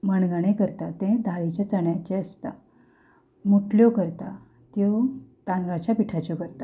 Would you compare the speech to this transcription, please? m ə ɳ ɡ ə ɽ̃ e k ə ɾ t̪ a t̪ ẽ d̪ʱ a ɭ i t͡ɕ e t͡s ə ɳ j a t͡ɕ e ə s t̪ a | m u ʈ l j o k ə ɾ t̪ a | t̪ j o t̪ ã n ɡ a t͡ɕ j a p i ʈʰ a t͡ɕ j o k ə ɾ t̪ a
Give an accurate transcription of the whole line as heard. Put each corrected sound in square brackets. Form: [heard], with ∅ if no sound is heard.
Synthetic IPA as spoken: m ə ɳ ɡ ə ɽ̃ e k ə ɾ t̪ a t̪ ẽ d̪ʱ a ɭ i t͡ɕ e t͡s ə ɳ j a t͡ɕ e ə s t̪ a | m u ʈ l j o k ə ɾ t̪ a | t̪ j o t̪ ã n ɡ a t͡ɕ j a p i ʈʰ a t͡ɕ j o k ə ɾ t̪ a